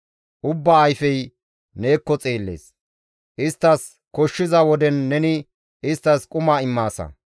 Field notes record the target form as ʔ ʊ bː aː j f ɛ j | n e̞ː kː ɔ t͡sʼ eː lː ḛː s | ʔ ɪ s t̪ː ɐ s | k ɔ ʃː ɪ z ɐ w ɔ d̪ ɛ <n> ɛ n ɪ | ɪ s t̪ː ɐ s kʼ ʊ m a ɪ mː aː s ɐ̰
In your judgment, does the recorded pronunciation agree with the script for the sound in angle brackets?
no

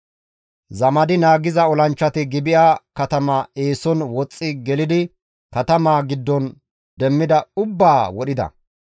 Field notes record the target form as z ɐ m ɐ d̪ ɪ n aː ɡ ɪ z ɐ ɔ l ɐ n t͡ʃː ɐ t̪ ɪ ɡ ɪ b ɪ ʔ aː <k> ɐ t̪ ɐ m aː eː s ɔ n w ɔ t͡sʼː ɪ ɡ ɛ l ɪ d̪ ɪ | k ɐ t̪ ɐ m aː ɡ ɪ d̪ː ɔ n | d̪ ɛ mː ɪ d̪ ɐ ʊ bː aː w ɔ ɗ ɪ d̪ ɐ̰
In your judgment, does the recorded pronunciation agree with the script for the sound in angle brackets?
yes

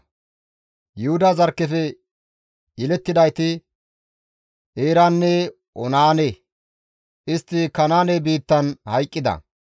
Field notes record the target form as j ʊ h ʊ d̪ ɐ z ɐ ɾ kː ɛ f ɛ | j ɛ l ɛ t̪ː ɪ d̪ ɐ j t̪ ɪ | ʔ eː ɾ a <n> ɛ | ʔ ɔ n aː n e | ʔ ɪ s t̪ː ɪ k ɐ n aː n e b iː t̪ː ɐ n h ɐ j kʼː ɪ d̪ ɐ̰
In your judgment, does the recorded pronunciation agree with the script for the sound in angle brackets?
no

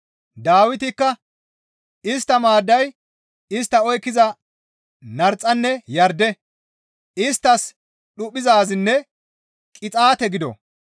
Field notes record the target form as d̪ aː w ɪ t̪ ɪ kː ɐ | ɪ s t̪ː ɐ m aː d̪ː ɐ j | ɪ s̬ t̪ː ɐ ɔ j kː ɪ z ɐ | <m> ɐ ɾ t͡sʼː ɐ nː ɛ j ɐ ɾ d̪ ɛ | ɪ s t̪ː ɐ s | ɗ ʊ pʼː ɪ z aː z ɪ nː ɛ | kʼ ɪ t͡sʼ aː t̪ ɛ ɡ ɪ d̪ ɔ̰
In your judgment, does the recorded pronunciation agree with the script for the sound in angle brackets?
no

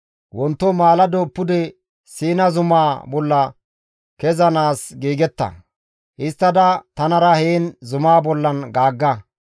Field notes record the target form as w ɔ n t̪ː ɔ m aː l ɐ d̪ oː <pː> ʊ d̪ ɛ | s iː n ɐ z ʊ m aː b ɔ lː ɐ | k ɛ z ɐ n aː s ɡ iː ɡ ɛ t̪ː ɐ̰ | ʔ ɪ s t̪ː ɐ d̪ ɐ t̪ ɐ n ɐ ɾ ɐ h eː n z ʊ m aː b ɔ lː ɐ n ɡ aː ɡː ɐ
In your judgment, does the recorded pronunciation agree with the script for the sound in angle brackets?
yes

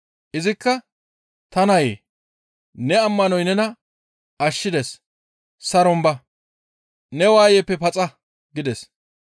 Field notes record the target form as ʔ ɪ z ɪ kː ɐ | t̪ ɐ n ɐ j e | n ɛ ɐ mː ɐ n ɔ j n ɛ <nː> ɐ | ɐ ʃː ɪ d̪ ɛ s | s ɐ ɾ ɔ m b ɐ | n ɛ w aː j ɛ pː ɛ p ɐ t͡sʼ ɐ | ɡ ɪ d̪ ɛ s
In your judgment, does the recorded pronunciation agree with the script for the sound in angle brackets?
no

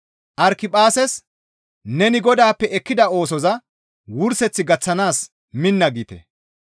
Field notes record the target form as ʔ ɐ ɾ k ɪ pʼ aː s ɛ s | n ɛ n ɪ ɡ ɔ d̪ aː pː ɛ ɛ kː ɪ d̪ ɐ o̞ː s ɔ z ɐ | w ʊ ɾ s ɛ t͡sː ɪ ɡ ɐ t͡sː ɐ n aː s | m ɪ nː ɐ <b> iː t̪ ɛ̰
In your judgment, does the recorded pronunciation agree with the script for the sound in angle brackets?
no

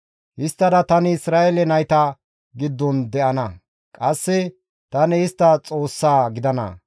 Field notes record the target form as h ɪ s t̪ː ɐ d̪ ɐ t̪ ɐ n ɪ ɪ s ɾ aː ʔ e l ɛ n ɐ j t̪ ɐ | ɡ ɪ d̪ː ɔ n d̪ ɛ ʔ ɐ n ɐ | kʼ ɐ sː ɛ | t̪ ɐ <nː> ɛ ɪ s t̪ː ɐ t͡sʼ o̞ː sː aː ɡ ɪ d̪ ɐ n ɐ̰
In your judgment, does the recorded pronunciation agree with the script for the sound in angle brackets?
no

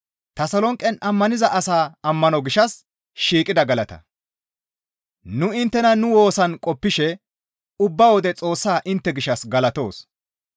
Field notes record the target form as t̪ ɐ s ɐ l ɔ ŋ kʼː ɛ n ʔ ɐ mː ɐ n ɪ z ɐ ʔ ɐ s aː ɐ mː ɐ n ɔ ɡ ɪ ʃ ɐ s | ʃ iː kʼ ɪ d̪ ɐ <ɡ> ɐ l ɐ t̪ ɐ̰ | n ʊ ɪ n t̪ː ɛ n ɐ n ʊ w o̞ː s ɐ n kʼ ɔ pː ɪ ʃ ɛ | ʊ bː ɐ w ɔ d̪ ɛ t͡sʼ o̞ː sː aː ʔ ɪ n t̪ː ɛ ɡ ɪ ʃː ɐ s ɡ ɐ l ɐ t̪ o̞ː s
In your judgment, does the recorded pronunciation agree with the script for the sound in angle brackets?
yes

